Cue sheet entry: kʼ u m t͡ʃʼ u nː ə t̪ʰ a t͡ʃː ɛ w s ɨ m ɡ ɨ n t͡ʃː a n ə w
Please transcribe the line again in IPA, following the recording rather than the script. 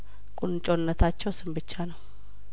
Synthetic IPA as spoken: kʼ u n t͡ʃʼ o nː ə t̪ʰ a t͡ʃː ɛ w s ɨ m b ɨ t͡ʃː a n ə w

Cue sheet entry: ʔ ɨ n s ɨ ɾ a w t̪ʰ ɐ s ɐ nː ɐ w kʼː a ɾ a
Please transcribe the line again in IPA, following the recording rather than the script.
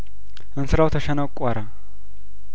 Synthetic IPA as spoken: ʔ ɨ n s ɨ ɾ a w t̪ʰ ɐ ʃ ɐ n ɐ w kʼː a ɾ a

